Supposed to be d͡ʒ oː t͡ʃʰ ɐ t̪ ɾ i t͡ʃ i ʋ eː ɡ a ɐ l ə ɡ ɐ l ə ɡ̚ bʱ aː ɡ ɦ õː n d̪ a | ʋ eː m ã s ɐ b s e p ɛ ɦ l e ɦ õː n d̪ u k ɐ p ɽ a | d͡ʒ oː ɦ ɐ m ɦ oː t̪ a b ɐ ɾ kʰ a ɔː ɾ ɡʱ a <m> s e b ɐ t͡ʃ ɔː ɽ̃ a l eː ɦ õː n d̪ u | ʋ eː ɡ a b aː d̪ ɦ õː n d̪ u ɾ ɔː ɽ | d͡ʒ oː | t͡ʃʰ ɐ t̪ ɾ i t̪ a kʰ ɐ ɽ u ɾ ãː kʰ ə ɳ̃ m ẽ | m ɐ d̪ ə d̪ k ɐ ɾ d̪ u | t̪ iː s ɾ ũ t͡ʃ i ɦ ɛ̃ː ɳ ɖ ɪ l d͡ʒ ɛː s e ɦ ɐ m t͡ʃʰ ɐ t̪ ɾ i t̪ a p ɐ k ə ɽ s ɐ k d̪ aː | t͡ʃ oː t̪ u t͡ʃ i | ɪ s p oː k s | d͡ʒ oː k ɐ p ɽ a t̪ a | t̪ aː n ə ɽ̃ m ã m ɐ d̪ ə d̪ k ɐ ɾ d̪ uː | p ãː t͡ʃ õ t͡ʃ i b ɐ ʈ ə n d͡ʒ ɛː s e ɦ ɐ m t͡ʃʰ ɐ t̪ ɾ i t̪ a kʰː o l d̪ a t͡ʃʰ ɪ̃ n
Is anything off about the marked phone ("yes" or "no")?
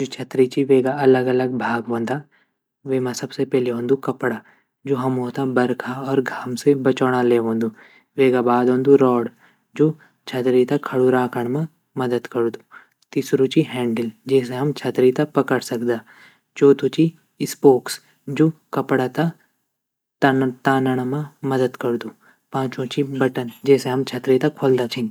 no